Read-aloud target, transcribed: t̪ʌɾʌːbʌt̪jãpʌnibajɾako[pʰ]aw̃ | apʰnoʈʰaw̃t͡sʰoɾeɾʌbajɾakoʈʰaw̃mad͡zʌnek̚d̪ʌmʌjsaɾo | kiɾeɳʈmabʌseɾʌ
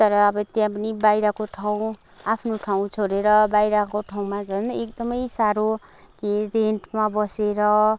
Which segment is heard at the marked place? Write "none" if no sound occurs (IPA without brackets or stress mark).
ʈʰ